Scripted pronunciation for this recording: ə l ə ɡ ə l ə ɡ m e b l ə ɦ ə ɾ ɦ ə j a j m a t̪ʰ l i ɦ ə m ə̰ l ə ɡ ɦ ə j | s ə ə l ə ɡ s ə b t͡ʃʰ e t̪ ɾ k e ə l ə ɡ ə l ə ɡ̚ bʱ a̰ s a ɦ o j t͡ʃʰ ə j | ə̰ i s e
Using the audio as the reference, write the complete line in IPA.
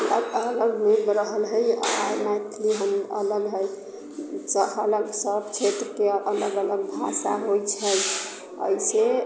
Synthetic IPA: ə l ə ɡ ə l ə ɡ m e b ɾ ə ɦ ə l ɦ ə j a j m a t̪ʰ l i ɦ ə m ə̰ l ə ɡ ɦ ə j | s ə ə l ə ɡ s ə b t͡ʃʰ e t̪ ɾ k e ə l ə ɡ ə l ə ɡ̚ bʱ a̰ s a ɦ o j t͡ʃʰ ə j | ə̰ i s e